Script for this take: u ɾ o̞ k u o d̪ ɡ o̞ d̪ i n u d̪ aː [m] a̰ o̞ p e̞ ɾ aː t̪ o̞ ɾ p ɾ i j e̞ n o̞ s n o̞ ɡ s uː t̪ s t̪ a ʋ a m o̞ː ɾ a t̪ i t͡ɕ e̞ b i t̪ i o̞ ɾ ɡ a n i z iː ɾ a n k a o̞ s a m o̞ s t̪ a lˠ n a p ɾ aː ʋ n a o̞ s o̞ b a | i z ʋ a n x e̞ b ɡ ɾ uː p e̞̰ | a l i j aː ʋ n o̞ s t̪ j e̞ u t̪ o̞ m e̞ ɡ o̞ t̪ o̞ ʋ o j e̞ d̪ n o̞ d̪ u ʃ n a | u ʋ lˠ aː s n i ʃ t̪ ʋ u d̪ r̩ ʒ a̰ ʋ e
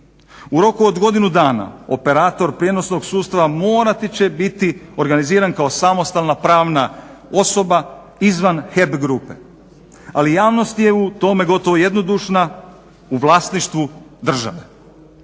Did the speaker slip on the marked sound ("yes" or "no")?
yes